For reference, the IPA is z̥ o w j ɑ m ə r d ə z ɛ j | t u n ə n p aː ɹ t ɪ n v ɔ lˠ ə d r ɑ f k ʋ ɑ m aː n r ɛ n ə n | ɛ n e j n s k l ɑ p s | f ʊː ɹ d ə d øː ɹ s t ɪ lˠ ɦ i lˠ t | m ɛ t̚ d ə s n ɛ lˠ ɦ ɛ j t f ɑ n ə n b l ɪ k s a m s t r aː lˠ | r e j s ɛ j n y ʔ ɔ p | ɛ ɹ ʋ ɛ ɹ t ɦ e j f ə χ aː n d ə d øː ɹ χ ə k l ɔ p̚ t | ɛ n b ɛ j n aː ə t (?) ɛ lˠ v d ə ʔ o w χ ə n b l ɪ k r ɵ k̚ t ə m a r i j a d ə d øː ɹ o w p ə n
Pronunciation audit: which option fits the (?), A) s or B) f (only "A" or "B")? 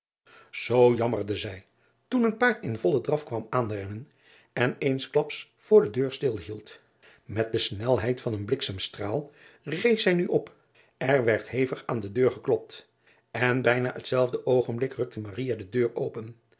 A